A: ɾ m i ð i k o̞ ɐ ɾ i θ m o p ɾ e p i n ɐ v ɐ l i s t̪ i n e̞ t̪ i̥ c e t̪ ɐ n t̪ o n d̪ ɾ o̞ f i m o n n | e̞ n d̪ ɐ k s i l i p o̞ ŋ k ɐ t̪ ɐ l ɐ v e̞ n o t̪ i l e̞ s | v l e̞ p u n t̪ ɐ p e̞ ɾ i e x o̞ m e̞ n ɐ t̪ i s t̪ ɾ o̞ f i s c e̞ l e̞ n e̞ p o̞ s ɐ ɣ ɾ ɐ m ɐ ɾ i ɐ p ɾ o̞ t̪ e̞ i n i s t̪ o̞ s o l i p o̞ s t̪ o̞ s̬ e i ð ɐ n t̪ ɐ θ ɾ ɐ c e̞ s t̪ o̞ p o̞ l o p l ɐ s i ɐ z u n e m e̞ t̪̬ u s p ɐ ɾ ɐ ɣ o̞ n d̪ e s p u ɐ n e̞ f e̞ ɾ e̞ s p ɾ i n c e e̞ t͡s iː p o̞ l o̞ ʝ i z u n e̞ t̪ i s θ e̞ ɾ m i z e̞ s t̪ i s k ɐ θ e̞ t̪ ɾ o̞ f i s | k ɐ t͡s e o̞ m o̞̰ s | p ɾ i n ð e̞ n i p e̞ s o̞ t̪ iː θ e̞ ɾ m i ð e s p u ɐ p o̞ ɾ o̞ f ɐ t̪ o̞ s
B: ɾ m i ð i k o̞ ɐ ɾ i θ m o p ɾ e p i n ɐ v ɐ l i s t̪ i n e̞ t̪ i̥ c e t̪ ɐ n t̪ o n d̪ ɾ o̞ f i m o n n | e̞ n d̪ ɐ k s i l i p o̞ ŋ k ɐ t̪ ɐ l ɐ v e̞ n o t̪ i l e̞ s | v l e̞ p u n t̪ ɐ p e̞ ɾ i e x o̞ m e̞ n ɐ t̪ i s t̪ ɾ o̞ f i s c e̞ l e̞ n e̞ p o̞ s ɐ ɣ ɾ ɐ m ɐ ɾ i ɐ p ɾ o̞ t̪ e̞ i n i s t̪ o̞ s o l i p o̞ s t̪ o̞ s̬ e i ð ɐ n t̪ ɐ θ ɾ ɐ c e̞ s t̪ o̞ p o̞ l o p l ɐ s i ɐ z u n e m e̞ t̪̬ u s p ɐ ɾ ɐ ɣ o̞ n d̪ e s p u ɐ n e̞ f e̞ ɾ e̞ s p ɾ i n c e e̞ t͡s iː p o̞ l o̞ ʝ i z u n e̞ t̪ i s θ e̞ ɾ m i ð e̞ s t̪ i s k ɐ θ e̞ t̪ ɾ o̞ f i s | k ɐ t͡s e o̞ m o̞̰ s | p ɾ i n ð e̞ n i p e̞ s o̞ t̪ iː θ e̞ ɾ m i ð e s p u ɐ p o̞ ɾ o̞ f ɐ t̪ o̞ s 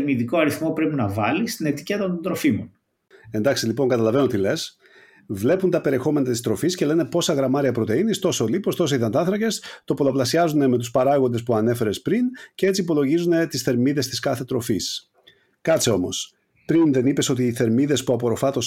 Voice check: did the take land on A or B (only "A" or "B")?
B